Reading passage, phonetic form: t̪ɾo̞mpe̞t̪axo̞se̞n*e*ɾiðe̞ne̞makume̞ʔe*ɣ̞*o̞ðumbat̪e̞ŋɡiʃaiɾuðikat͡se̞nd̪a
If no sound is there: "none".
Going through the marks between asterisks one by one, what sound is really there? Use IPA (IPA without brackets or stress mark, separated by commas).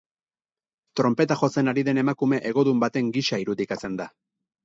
a, ɣ̞